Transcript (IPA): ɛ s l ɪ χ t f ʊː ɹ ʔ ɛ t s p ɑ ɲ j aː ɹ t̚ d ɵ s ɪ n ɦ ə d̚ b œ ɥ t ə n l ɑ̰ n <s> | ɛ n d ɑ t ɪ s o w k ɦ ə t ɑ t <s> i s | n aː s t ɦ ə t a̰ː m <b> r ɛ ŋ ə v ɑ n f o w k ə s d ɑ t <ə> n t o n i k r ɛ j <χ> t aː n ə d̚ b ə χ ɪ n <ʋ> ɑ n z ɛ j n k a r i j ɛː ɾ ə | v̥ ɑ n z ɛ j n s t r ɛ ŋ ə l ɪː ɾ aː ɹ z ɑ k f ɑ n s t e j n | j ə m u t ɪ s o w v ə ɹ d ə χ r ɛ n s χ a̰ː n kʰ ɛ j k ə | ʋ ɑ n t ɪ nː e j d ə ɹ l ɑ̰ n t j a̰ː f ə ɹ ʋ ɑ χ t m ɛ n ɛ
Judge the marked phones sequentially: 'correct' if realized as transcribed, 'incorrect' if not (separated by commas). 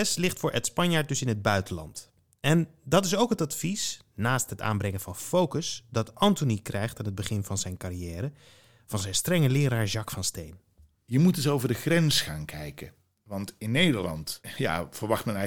incorrect, incorrect, correct, incorrect, correct, incorrect